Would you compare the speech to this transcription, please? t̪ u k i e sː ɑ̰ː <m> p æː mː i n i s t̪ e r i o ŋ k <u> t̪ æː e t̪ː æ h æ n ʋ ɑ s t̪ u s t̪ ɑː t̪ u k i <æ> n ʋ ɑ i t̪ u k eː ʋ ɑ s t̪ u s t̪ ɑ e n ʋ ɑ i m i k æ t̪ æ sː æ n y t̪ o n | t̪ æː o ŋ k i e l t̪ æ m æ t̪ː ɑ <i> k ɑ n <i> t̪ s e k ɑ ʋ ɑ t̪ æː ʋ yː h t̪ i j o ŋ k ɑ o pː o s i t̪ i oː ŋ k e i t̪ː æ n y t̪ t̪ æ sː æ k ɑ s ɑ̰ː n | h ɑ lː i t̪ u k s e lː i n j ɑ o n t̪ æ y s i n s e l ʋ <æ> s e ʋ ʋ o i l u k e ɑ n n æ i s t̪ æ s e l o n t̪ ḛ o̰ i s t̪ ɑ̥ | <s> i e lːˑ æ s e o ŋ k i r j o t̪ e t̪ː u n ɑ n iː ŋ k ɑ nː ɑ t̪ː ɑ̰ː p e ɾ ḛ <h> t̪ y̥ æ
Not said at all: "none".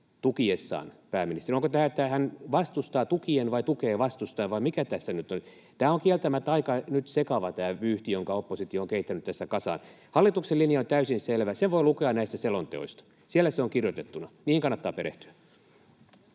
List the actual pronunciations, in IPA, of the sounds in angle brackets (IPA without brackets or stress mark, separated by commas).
n, o, e, i, y, æ, s, h